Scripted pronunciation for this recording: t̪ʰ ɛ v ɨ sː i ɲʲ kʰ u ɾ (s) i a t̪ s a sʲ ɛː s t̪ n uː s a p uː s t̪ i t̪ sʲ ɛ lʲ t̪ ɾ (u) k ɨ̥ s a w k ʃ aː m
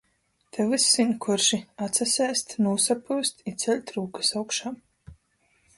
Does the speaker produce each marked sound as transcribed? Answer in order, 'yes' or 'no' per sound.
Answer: no, no

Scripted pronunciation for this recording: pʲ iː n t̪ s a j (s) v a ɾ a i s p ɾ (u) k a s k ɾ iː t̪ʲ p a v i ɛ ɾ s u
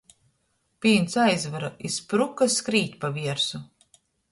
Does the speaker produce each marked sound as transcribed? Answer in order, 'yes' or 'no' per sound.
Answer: no, yes

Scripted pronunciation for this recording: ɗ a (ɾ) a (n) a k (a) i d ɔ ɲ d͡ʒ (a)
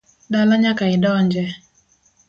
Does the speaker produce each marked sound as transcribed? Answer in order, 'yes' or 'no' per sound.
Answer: no, no, yes, no

